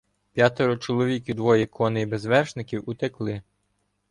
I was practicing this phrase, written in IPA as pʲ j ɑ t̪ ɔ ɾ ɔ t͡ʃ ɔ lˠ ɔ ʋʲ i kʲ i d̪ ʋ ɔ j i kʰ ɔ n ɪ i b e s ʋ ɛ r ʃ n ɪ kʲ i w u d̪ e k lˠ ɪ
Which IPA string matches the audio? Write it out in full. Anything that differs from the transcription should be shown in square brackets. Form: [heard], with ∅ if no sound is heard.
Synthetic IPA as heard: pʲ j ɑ t̪ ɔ ɾ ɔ t͡ʃ ɔ lˠ ɔ ʋʲ i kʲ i d̪ ʋ ɔ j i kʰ ɔ n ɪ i b e [z] ʋ ɛ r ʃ n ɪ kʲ i w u [t̪] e k lˠ ɪ